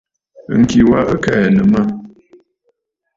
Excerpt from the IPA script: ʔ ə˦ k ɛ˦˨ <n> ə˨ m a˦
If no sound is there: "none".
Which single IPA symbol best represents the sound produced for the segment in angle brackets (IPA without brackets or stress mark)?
n